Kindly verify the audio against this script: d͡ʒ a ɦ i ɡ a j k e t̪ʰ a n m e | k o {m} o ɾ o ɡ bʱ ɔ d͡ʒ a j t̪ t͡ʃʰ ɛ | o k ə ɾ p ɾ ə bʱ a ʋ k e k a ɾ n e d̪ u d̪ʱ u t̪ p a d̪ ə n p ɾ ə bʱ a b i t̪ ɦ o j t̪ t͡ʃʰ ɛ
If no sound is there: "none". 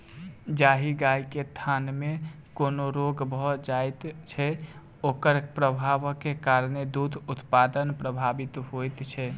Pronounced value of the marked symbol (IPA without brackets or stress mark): n